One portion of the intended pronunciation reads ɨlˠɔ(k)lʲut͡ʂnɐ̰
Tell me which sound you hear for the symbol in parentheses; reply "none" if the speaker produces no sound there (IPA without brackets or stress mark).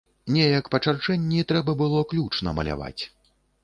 k